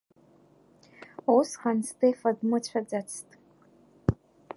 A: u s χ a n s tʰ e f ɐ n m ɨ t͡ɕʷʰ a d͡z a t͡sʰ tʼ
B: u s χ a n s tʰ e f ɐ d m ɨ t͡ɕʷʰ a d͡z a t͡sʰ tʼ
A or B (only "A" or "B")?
B